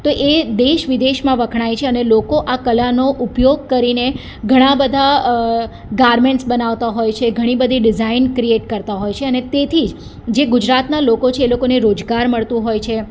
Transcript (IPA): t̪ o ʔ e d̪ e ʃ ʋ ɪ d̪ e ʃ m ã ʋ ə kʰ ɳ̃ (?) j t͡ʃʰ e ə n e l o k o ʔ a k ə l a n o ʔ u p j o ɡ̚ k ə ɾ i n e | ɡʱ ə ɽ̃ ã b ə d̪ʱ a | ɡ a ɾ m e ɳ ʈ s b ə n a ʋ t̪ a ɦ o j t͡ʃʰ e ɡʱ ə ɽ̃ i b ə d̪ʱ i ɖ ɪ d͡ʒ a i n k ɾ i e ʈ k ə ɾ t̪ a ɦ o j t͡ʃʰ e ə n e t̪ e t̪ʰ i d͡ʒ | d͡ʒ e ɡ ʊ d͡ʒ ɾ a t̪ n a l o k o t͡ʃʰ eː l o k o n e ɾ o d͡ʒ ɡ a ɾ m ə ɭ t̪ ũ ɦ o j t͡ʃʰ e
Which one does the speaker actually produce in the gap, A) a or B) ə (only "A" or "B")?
A